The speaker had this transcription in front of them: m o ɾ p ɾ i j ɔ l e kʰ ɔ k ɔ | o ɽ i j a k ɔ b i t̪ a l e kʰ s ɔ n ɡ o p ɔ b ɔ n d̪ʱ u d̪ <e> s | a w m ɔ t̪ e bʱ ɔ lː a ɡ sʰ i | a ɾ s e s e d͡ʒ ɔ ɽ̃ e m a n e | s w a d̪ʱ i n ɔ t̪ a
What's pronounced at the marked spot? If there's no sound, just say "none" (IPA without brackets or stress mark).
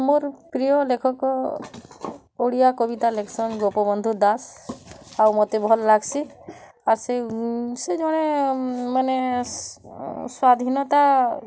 a